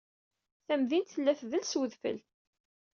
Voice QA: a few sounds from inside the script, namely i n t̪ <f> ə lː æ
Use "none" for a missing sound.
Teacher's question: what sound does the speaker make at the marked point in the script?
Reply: θ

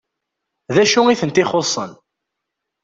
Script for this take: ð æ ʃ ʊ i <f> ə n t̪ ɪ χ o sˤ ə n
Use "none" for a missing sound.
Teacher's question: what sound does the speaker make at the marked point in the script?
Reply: θ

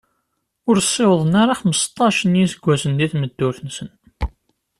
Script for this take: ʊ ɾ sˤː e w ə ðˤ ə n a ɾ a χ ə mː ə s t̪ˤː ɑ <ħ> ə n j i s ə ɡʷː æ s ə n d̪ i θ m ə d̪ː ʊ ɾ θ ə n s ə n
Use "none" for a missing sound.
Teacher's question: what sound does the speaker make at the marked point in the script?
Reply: ʃ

